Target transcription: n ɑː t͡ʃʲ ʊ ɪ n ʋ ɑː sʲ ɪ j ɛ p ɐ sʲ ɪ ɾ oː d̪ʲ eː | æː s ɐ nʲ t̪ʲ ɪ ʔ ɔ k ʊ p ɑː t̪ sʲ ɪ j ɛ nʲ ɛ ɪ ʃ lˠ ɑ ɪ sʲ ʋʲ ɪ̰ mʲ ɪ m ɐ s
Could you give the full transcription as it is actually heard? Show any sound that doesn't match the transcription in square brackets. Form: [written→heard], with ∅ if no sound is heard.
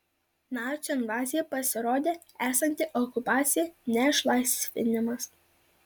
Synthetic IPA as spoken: n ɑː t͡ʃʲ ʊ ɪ n ʋ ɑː [sʲ→zʲ] ɪ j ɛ p ɐ sʲ ɪ ɾ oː d̪ʲ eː | æː s ɐ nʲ t̪ʲ ɪ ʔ ɔ k ʊ p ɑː t̪ sʲ ɪ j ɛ nʲ ɛ ɪ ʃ lˠ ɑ ɪ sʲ ʋʲ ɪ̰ [mʲ→nʲ] ɪ m ɐ s